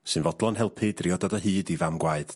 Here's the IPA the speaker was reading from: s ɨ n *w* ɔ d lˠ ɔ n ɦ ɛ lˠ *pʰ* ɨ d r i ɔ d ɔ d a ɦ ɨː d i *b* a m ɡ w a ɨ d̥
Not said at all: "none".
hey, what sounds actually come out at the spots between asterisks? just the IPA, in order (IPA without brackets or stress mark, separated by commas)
v, pʰ, v